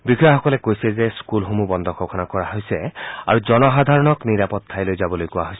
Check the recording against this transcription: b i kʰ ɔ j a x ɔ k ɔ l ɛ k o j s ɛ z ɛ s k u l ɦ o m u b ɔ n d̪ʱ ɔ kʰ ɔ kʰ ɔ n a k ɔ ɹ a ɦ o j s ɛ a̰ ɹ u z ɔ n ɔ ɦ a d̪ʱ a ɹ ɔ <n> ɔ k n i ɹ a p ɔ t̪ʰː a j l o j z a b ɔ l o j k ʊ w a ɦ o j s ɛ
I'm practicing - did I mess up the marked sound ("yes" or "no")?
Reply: no